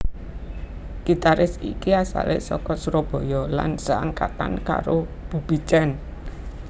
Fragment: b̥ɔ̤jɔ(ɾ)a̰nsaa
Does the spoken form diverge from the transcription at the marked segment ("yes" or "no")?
yes